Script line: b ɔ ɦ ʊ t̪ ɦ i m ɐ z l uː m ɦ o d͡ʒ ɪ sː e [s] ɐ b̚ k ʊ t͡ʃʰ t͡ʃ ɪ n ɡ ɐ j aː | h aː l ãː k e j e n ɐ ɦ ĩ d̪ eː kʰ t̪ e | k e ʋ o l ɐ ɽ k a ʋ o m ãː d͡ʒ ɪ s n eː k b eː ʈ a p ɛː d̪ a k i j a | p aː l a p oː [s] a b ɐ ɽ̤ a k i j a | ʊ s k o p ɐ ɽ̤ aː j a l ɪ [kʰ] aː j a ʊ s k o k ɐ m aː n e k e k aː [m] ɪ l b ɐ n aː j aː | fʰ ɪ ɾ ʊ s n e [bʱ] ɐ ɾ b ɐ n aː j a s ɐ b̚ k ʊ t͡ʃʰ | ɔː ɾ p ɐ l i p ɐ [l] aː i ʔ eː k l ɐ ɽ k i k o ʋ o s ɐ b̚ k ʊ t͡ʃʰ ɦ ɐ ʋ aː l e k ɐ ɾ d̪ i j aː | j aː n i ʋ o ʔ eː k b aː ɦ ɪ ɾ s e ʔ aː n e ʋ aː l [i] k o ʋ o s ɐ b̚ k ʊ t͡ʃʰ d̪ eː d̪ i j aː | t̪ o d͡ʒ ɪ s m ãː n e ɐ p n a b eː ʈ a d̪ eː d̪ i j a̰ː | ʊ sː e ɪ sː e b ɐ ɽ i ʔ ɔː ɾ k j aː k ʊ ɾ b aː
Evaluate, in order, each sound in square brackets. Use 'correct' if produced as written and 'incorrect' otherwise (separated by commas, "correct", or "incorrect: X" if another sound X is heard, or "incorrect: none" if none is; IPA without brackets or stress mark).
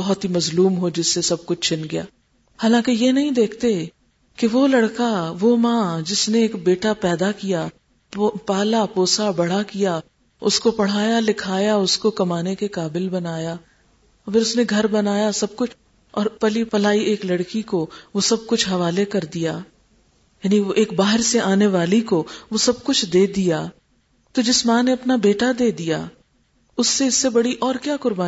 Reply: correct, correct, correct, incorrect: b, incorrect: ɡʱ, correct, correct